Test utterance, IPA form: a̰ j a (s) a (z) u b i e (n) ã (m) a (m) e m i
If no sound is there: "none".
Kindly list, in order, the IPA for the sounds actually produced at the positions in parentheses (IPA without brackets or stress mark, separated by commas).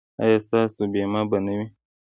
s, s, m, b, n